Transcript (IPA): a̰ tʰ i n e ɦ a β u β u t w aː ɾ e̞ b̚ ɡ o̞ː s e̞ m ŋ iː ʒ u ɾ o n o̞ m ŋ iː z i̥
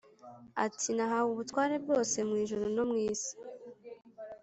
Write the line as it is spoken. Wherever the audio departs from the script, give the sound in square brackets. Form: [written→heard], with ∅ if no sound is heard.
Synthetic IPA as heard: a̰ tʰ i n [e→a] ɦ a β u β u t w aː ɾ e̞ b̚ ɡ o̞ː s e̞ m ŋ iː ʒ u ɾ o n o̞ m ŋ iː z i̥